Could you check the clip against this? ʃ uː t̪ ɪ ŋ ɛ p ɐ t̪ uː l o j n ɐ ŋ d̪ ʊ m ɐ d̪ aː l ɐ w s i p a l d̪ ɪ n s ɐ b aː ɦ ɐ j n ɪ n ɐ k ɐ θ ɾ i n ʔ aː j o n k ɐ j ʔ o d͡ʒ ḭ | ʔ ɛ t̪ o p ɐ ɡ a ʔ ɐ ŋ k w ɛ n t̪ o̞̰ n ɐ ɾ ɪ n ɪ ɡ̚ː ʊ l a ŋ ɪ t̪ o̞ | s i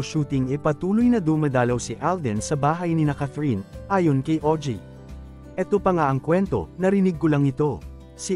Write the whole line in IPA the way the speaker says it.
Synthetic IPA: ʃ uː t̪ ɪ ŋ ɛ p ɐ t̪ uː l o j n ɐ d̪ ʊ m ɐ d̪ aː l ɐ w s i ʔ a l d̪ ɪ n s ɐ b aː ɦ ɐ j n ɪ n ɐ k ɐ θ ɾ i n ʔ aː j o n k ɐ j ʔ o d͡ʒ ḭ | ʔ ɛ t̪ o p ɐ ŋ a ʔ ɐ ŋ k w ɛ n t̪ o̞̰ n ɐ ɾ ɪ n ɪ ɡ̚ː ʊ l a ŋ ɪ t̪ o̞ | s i